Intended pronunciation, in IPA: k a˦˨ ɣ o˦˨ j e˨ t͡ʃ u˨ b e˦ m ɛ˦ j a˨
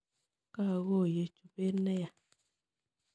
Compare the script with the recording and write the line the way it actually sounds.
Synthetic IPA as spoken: k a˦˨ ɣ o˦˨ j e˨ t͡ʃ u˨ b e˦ n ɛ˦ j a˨